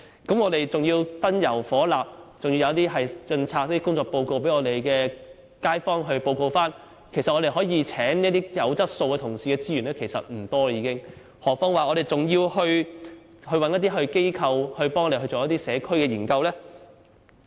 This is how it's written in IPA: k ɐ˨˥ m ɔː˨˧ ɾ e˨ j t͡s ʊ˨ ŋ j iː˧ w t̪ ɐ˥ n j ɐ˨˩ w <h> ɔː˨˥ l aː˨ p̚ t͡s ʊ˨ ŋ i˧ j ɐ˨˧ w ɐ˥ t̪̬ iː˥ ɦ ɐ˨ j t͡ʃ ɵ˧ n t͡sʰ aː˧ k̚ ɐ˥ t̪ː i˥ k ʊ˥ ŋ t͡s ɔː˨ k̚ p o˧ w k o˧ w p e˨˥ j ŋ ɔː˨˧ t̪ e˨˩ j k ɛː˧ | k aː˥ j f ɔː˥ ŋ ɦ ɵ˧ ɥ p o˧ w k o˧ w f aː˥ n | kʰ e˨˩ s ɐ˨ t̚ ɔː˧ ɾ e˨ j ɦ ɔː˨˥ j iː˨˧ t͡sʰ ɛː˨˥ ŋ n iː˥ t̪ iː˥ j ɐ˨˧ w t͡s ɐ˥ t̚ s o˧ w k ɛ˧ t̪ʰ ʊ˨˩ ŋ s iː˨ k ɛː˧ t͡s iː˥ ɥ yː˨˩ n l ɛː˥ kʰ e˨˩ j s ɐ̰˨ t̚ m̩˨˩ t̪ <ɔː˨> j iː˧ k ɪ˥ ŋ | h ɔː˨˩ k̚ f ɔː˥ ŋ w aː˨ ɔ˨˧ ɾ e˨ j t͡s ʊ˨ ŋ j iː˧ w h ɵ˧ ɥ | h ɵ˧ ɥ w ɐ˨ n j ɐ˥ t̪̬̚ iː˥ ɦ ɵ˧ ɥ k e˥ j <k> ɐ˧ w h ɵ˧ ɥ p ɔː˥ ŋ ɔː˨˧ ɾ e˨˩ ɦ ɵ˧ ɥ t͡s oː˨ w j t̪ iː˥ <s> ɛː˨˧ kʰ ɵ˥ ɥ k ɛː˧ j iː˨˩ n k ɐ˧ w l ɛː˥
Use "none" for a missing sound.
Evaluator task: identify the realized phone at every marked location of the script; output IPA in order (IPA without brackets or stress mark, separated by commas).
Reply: f, ɔː˥˧, kʰ, s